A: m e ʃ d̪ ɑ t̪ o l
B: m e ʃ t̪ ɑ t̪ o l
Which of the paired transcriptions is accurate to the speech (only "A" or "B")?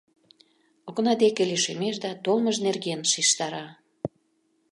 A